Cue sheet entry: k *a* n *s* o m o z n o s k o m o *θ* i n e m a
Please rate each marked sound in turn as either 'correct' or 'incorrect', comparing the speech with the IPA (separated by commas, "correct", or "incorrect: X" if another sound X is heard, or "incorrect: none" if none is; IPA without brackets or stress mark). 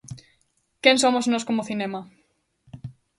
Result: incorrect: e, correct, correct